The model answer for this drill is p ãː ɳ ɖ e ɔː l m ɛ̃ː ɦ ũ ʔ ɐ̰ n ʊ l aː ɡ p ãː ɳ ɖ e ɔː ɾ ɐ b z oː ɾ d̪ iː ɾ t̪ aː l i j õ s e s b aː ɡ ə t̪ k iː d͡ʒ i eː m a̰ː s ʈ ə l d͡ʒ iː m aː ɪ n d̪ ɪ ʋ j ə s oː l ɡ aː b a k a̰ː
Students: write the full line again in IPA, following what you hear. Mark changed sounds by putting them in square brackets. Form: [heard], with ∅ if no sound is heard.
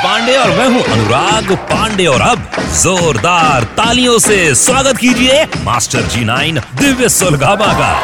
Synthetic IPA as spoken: p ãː ɳ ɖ e ɔː [ɾ] m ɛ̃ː ɦ ũ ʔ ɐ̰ n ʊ [ɾ] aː ɡ p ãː ɳ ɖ e ɔː ɾ ɐ b z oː ɾ d̪ [aː] ɾ t̪ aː l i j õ s e s [w] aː ɡ ə t̪ k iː d͡ʒ i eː m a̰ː s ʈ ə [ɾ] d͡ʒ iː [n] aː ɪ n d̪ ɪ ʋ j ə s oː l ɡ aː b a k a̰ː